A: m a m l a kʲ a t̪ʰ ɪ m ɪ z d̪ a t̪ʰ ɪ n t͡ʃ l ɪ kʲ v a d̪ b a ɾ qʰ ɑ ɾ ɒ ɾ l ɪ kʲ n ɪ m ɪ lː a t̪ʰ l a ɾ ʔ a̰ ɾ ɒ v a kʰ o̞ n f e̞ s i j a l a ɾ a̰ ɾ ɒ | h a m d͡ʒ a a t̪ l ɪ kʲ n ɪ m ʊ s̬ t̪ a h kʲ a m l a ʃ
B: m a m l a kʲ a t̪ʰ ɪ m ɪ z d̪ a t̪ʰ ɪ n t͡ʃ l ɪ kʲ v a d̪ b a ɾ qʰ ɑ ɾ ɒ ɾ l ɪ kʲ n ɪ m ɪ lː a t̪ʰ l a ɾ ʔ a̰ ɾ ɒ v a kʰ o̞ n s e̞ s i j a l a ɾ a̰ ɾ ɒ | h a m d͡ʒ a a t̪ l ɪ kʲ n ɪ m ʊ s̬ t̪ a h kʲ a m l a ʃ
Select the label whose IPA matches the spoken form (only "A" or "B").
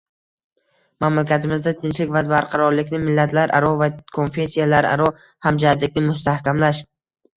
A